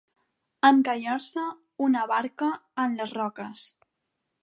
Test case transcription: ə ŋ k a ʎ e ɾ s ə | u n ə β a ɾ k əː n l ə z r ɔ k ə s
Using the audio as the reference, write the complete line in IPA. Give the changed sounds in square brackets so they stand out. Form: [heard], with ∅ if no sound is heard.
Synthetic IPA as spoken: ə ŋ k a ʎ [a] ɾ s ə | u n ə β a ɾ k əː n l ə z r ɔ k ə s